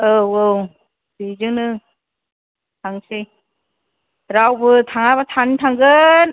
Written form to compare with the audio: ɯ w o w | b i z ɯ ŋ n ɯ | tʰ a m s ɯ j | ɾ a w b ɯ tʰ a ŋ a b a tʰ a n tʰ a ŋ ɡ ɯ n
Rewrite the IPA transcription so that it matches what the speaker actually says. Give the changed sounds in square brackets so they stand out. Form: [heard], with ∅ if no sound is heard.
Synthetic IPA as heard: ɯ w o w | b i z ɯ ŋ n ɯ | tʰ a [ŋ] s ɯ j | ɾ a w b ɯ tʰ a ŋ a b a tʰ a n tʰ a ŋ ɡ ɯ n